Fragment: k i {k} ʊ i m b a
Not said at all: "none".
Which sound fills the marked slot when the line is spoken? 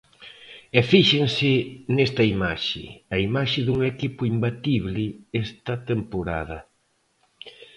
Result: p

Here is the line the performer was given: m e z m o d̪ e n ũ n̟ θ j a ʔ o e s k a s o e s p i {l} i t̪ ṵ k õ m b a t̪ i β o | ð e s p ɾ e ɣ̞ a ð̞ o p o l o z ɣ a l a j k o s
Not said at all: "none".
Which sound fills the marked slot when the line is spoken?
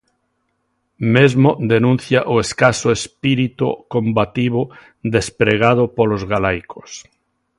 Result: ɾ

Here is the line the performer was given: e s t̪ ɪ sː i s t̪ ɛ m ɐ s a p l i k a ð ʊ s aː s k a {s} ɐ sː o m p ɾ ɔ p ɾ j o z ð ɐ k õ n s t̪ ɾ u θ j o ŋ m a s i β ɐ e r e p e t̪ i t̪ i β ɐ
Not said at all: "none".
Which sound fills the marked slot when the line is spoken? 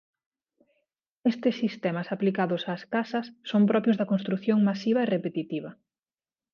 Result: s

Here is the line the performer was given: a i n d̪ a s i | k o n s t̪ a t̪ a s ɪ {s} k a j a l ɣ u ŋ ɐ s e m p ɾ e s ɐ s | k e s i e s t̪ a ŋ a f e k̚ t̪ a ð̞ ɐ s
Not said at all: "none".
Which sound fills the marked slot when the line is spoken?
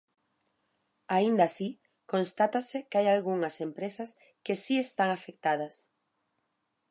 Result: none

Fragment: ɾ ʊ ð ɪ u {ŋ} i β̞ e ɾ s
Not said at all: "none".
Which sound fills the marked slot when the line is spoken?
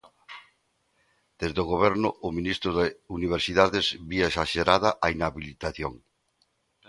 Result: n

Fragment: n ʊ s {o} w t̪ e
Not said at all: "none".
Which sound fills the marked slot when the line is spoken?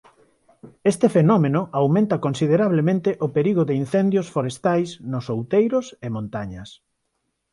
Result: o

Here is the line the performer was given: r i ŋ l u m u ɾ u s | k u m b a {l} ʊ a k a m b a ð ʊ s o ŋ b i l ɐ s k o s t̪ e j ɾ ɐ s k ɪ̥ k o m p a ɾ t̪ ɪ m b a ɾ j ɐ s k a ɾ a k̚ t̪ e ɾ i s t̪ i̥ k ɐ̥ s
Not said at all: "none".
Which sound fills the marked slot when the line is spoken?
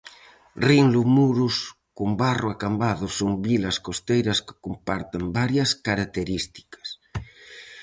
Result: r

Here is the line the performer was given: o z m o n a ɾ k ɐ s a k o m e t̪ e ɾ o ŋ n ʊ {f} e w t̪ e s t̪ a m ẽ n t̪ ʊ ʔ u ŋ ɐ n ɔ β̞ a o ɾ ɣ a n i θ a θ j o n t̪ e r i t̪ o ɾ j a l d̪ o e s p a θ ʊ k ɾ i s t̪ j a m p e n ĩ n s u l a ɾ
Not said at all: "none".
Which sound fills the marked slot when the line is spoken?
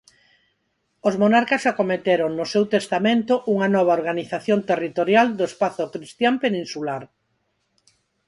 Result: s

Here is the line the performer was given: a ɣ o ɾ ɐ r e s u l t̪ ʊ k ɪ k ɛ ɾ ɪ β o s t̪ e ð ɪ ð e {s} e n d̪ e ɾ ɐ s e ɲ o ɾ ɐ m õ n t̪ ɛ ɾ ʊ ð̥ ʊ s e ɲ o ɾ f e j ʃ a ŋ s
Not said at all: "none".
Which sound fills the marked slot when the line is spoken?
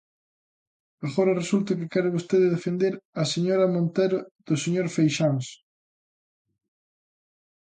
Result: f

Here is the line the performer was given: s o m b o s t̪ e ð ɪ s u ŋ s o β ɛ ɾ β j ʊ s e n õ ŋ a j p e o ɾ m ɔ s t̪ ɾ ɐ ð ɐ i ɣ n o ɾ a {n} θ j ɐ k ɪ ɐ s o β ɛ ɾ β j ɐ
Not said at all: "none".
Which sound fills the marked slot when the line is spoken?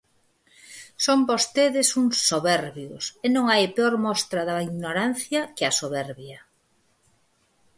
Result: n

